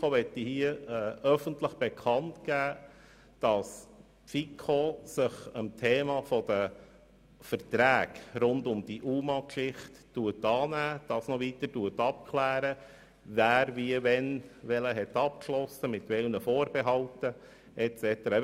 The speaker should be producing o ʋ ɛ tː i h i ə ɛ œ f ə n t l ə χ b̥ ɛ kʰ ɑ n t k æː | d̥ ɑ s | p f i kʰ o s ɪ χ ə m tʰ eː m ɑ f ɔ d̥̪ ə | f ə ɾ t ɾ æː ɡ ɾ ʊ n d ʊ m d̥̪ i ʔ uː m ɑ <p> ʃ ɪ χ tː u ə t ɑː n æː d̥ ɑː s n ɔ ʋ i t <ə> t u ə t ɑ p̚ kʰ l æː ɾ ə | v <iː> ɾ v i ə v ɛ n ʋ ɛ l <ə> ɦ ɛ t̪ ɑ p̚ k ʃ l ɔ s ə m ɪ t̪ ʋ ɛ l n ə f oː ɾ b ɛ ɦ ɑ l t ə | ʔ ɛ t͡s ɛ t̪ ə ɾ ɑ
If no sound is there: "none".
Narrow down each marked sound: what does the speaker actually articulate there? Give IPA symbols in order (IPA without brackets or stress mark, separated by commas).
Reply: k, ə, æː, ə